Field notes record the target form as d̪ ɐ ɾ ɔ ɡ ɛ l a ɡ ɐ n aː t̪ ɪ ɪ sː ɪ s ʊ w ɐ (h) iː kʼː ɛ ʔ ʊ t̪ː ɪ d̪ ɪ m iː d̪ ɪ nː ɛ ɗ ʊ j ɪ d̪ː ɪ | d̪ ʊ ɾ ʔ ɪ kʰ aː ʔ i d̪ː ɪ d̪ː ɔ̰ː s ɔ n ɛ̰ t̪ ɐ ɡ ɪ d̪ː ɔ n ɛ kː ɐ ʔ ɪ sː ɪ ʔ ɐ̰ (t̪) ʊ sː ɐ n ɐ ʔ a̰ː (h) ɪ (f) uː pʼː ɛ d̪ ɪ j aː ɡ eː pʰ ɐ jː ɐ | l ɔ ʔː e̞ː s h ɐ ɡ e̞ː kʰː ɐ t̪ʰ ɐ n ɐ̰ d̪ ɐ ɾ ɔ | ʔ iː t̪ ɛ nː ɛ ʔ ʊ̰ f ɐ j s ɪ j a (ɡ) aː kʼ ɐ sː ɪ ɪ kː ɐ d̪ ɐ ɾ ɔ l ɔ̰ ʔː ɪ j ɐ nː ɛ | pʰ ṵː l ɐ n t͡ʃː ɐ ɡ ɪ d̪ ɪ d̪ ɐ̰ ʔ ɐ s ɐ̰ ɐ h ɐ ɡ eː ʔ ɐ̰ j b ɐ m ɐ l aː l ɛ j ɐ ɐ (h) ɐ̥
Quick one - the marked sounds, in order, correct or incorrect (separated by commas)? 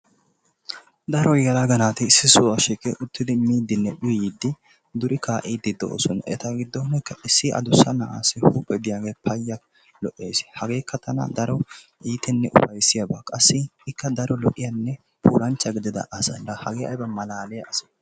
incorrect, incorrect, incorrect, incorrect, incorrect, incorrect